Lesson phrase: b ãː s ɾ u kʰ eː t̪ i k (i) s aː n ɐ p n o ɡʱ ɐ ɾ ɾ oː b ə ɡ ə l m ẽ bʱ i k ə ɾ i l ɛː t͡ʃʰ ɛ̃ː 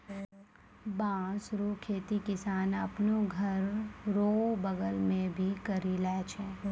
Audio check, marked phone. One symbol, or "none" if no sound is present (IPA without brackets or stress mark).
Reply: ɪ